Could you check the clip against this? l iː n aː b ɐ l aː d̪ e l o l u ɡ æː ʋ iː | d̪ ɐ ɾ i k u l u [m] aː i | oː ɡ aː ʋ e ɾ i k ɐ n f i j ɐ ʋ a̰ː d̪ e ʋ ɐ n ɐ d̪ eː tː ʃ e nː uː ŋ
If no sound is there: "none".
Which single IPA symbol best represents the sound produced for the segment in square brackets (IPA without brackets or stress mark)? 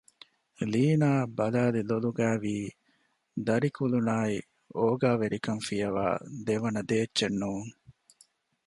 n